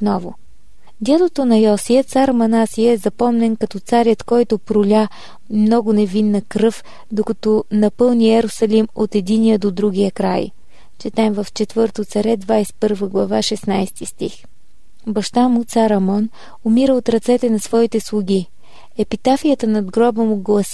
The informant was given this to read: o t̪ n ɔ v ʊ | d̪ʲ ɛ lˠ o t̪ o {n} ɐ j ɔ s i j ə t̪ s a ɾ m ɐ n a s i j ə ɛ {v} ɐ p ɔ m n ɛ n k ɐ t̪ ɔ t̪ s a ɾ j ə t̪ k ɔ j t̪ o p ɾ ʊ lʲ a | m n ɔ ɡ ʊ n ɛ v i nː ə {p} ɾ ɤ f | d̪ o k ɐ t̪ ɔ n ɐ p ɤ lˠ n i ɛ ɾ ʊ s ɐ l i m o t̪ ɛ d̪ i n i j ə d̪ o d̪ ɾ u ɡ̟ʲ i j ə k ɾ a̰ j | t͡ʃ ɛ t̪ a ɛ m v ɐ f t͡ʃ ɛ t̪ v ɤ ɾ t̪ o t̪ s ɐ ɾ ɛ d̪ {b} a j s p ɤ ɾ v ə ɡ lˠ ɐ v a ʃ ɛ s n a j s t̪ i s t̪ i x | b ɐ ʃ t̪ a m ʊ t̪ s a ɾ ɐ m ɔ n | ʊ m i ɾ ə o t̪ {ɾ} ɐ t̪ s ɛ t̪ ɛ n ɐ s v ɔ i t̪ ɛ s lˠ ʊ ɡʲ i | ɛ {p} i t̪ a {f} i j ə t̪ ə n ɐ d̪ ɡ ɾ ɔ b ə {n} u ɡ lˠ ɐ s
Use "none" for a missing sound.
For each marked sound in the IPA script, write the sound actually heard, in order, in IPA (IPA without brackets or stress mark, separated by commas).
n, z, k, v, ɾ, p, f, m